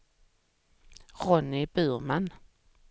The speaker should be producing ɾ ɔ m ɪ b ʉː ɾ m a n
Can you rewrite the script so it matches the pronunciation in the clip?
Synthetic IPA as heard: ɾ ɔ n ɪ b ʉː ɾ m a n